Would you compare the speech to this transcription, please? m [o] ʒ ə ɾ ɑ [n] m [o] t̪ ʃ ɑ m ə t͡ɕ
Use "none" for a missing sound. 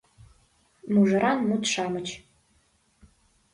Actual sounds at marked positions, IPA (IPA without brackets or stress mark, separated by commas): u, n, u